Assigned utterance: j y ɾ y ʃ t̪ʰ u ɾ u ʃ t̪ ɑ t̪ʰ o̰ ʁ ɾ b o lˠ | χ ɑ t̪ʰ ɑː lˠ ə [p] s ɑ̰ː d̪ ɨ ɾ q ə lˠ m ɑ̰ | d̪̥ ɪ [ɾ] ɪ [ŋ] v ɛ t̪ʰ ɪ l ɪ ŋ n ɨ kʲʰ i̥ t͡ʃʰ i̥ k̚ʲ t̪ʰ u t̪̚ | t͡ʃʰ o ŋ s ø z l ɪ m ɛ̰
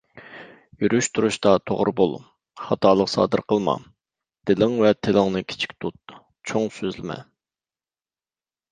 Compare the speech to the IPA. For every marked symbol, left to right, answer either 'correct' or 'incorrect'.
incorrect: q, incorrect: l, correct

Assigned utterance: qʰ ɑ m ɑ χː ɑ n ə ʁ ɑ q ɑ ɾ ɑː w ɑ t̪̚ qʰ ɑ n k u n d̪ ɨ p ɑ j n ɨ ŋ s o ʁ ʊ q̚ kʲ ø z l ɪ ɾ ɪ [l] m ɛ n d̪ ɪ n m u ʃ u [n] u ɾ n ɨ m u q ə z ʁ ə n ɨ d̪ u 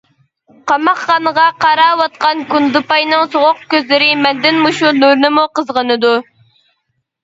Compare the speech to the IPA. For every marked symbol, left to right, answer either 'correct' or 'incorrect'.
incorrect: none, correct

